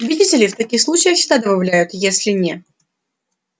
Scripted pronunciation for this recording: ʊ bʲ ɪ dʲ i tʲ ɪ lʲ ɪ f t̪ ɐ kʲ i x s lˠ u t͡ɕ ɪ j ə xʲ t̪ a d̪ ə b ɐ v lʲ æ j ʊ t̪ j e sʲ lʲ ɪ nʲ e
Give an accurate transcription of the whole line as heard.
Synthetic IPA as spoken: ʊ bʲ ɪ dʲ i tʲ ɪ lʲ ɪ f t̪ ɐ kʲ i x s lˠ u t͡ɕ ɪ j ə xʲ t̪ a d̪ ə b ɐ v lʲ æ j ʊ t̪ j e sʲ lʲ ɪ nʲ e